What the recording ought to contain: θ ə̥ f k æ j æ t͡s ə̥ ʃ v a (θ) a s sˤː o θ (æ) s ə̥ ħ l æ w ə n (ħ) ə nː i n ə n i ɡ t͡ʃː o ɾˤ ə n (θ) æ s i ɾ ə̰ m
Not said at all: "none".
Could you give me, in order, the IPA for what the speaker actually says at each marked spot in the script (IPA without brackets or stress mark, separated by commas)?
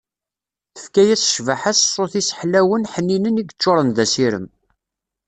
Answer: ħ, i, ħ, ð